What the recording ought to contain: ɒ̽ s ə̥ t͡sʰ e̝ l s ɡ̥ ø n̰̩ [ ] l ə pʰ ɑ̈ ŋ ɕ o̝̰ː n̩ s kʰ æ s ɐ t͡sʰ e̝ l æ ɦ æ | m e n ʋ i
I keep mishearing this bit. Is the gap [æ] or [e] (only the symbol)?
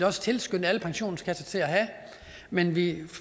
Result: æ